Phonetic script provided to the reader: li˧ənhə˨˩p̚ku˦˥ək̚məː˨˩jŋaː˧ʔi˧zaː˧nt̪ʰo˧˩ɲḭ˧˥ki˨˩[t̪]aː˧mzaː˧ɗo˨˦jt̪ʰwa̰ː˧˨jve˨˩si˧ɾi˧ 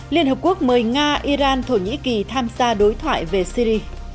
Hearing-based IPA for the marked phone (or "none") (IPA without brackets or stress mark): t̪ʰ